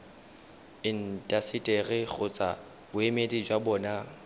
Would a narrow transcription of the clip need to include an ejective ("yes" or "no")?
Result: yes